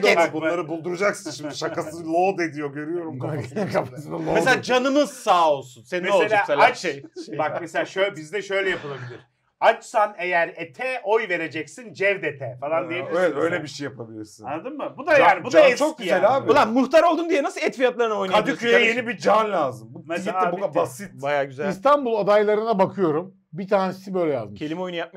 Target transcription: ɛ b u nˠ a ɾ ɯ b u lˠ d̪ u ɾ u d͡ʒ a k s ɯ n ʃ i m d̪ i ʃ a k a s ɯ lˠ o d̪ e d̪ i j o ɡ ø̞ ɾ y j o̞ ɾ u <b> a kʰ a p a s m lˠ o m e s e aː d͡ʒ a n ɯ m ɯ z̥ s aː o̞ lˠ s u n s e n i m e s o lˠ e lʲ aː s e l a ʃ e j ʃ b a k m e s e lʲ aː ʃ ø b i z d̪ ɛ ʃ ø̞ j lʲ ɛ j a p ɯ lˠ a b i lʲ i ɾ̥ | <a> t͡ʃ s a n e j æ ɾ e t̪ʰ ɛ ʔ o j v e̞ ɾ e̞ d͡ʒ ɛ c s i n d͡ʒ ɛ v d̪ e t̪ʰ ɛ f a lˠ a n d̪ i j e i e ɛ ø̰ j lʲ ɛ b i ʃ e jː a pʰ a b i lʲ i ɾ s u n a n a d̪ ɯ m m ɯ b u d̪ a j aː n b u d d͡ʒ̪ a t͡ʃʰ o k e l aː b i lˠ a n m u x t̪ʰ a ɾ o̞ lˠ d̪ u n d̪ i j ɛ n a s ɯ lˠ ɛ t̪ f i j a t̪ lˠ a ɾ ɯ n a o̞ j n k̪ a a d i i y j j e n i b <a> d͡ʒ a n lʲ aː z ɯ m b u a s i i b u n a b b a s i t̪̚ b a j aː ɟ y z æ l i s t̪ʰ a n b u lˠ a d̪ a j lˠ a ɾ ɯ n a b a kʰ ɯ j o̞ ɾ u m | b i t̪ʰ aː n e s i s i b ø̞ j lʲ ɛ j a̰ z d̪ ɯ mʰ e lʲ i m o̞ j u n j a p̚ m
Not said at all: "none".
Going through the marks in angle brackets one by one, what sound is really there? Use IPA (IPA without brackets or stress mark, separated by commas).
m, a, i